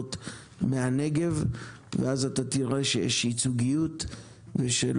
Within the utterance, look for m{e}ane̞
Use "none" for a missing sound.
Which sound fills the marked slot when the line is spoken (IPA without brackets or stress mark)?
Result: e